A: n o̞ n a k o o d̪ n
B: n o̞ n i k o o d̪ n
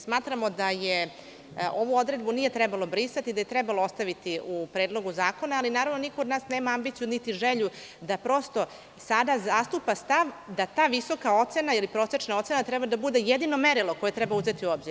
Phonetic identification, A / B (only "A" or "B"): B